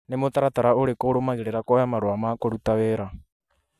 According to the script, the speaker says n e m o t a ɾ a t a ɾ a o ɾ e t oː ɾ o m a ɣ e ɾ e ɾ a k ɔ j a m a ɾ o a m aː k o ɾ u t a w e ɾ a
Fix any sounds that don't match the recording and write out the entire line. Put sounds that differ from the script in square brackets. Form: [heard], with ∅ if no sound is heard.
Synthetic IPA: n e m o t a ɾ a t a ɾ a o ɾ e [k] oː ɾ o m a ɣ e ɾ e ɾ a k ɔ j a m a ɾ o a m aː k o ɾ u t a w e ɾ a